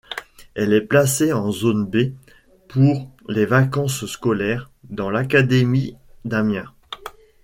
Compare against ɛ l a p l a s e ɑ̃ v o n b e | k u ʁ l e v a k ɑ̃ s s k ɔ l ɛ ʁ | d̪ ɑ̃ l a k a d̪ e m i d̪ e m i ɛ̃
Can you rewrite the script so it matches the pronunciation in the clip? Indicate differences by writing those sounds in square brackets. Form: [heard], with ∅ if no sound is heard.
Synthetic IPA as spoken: ɛ l [ɛ] p l a s e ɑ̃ [z] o n b e | [p] u ʁ l e v a k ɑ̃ s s k ɔ l ɛ ʁ | d̪ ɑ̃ l a k a d̪ e m i d̪ [a] m [j] ɛ̃